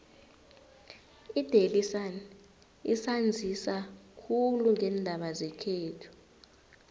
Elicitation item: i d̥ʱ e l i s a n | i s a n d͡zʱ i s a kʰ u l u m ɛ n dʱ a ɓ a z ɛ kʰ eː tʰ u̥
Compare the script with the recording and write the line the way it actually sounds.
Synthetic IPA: i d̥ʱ e l i s a n | i s a n d͡zʱ i s a kʰ u l u ŋ ɛ n dʱ a ɓ a z ɛ kʰ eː tʰ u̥